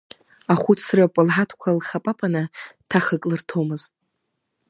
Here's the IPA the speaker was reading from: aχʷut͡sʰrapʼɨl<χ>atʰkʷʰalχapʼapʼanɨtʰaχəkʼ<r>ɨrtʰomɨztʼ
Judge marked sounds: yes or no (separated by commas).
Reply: no, no